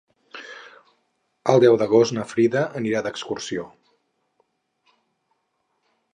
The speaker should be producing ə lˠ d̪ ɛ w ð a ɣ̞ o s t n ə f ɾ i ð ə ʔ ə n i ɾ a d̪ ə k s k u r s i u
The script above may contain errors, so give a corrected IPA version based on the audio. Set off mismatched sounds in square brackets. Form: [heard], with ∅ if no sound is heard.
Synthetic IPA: ə lˠ d̪ ɛ w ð [ə] ɣ̞ o s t n ə f ɾ i ð ə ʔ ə n i ɾ a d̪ ə k s k u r s i [o]